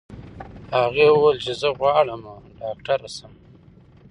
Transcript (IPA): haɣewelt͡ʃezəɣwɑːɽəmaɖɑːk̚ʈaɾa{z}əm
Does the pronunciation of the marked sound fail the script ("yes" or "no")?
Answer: yes